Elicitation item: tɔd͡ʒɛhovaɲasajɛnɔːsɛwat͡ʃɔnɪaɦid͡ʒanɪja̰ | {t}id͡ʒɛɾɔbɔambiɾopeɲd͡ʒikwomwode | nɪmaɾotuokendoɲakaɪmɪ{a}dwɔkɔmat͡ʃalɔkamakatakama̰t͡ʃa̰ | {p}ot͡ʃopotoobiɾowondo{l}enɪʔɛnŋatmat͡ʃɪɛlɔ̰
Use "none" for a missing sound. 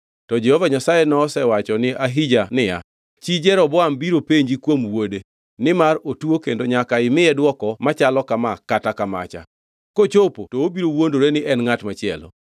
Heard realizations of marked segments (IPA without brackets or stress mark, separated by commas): t͡ʃ, ɛ, k, ɾ